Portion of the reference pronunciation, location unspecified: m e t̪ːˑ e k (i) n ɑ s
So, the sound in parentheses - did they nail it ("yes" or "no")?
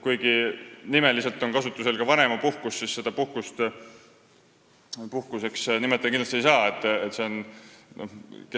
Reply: yes